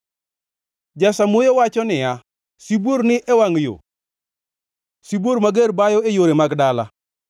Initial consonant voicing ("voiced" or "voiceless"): voiced